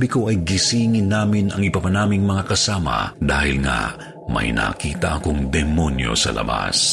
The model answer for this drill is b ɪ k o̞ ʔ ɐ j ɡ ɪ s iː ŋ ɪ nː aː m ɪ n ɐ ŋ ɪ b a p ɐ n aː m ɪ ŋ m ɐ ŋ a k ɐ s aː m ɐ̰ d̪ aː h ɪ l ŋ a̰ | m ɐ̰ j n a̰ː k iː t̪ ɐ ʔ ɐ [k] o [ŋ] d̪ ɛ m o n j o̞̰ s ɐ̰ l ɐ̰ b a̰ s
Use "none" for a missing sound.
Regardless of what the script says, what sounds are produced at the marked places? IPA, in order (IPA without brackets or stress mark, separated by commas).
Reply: k, ŋ